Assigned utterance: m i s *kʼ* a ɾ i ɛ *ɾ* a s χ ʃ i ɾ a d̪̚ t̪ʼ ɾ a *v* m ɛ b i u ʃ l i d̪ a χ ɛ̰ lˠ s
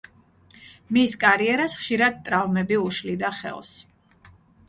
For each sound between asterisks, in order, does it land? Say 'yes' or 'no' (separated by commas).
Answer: yes, yes, yes